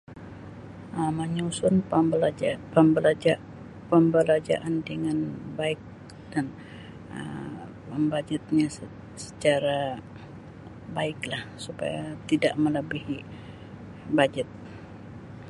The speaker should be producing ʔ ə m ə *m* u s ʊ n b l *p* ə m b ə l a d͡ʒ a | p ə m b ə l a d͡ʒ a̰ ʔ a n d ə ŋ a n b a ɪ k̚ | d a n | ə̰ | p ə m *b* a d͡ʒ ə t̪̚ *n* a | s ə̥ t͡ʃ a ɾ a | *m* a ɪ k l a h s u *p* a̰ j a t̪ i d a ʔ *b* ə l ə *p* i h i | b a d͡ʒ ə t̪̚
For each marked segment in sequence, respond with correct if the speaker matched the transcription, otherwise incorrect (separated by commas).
incorrect, correct, correct, incorrect, incorrect, correct, incorrect, incorrect